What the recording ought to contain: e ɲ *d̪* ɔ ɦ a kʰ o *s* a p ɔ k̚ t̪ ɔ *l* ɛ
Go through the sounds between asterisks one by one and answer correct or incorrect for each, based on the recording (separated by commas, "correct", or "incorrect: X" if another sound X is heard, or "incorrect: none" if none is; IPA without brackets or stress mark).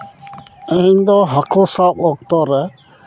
correct, correct, incorrect: ɾ